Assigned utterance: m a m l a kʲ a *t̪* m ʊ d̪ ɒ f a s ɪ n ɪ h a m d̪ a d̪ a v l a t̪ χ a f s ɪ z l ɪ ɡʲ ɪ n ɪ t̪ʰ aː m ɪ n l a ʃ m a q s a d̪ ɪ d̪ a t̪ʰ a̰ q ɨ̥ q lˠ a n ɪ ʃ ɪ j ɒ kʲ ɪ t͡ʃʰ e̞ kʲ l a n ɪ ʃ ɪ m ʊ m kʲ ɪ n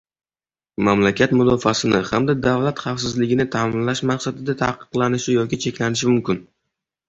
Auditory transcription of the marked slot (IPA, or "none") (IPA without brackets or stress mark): t̪